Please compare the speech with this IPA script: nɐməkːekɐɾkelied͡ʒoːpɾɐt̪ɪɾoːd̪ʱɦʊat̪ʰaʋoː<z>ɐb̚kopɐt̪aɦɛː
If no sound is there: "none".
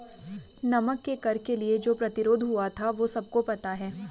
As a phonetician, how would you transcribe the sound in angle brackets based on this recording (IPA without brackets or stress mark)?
s